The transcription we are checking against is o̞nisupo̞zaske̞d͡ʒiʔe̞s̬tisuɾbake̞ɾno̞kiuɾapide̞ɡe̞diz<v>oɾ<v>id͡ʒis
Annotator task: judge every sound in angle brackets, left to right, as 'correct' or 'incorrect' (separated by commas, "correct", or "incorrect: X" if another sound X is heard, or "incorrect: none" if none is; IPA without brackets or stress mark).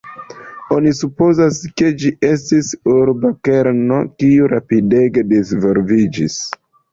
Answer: correct, correct